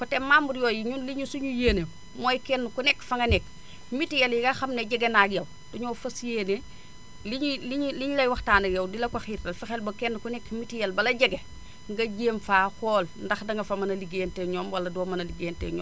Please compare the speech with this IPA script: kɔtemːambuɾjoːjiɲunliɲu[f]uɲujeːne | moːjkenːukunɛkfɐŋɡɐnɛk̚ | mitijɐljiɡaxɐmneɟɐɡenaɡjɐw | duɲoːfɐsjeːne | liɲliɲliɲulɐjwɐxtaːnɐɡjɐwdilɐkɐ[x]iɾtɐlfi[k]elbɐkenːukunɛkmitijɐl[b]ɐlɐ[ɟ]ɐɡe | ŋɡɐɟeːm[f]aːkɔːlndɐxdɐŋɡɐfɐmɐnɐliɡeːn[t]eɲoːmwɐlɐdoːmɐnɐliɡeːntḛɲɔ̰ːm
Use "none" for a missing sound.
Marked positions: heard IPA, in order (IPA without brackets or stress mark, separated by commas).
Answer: s, x, x, b, ɟ, f, t